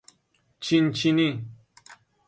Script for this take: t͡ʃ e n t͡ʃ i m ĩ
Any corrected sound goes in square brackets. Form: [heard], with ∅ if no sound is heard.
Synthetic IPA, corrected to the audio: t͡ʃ [i] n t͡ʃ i [n] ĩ